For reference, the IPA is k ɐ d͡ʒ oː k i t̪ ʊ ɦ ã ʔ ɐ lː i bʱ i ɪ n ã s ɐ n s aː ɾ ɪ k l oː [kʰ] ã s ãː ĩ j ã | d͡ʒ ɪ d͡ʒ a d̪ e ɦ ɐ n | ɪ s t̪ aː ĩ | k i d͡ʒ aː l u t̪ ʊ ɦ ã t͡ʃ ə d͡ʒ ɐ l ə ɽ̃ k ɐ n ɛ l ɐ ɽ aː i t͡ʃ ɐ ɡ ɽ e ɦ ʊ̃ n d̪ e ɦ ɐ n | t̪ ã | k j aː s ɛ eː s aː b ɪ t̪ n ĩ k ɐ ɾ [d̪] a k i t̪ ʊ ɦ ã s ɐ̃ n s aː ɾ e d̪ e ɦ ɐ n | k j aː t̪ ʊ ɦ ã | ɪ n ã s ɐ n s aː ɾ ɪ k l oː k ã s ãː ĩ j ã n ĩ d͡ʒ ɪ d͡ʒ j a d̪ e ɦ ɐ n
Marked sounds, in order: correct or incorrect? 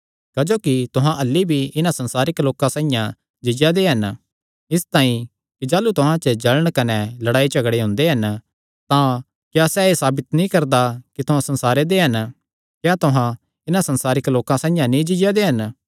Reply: incorrect: k, correct

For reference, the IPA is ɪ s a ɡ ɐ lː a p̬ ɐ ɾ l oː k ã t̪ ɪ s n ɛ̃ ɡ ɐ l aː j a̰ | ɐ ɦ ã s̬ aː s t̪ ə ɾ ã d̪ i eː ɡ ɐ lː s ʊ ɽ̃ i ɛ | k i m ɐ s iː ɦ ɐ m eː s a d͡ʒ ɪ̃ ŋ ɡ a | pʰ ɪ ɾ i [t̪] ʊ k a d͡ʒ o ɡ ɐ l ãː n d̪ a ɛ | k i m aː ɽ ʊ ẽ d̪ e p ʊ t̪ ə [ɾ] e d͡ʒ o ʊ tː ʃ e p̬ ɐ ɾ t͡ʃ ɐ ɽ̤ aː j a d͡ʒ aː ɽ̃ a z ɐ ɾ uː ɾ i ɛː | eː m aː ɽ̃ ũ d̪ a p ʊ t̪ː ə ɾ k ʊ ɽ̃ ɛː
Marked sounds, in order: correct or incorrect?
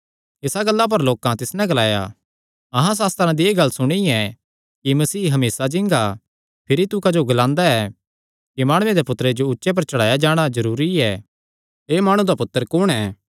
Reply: correct, correct

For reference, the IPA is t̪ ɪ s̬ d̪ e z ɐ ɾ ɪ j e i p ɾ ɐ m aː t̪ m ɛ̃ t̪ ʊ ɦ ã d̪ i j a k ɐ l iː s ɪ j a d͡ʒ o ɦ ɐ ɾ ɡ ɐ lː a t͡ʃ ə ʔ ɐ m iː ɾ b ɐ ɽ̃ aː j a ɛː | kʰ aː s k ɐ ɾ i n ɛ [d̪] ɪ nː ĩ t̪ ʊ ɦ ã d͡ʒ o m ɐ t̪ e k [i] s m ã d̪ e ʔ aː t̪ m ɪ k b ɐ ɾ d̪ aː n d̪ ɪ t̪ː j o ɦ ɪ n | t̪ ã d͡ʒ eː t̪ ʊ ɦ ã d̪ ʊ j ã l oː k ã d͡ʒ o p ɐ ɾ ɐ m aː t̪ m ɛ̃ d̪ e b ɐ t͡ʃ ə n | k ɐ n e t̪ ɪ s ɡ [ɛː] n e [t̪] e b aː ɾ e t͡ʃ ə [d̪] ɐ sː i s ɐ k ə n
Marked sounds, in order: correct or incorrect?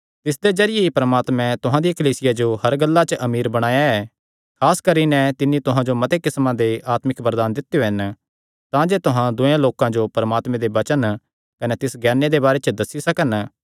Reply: incorrect: t̪, incorrect: ɪ, correct, incorrect: d̪, correct

